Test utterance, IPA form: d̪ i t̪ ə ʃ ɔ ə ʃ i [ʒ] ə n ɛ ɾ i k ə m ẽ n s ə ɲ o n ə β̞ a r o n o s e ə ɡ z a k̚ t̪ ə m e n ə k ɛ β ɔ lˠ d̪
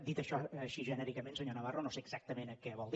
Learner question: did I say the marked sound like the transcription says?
yes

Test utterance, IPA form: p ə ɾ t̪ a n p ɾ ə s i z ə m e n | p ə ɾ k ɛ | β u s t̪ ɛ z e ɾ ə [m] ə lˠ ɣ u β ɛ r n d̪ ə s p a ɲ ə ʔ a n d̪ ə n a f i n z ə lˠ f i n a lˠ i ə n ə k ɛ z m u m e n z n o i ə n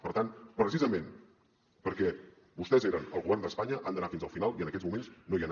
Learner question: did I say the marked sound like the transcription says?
no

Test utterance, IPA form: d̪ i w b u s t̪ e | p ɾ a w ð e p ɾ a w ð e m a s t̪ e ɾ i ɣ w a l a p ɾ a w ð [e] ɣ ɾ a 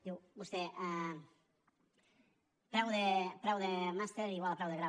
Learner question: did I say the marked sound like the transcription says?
yes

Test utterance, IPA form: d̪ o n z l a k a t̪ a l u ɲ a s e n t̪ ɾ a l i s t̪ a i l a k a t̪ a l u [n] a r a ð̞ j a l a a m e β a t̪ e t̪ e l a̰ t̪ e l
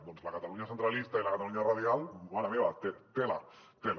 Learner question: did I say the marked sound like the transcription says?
no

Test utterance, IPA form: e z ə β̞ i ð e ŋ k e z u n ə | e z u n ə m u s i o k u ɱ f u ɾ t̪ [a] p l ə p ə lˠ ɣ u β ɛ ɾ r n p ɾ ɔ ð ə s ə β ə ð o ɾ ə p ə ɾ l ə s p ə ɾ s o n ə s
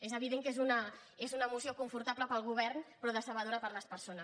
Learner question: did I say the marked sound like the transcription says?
yes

